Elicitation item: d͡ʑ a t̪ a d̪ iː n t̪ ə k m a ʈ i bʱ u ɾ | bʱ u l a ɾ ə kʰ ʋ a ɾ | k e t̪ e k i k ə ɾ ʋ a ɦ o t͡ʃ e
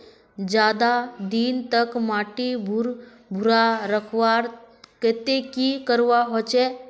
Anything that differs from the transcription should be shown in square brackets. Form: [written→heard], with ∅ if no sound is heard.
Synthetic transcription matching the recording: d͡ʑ a [t̪→d̪] a d̪ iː n t̪ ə k m a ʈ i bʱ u ɾ | bʱ u [l→ɾ] a ɾ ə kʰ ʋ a ɾ | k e t̪ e k i k ə ɾ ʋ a ɦ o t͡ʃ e